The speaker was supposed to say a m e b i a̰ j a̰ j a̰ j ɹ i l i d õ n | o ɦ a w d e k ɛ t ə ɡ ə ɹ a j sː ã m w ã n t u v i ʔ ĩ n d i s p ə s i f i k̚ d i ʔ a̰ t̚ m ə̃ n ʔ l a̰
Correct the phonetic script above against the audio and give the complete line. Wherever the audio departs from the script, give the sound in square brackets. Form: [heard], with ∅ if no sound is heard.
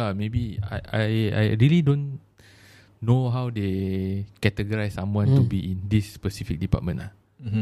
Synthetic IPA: a m e b i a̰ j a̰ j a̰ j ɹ i l i d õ n | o ɦ a w d e k ɛ t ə ɡ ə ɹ a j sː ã m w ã n t u [b] i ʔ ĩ n d i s p ə s i f i k̚ d i [p] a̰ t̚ m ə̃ n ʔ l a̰